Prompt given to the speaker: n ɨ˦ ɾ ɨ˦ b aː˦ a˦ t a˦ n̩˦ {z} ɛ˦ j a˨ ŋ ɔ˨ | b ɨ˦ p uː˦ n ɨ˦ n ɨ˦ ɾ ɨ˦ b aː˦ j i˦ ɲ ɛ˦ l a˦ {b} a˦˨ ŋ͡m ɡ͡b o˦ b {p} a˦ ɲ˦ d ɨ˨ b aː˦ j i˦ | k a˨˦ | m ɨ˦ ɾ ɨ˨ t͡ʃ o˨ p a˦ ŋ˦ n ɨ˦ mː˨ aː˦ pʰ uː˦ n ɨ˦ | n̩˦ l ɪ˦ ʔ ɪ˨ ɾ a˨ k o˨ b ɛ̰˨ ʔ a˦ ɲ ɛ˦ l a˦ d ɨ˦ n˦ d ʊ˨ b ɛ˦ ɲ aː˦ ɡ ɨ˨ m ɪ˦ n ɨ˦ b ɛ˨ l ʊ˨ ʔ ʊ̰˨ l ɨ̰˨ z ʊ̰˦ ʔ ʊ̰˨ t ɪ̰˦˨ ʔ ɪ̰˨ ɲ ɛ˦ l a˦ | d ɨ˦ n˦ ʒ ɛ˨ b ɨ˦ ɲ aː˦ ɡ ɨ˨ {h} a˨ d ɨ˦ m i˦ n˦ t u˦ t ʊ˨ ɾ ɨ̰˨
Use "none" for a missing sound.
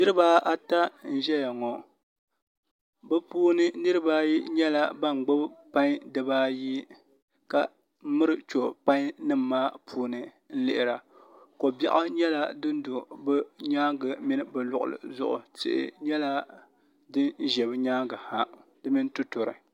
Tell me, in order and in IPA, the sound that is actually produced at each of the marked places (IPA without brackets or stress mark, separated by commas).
ʒ, b, p, h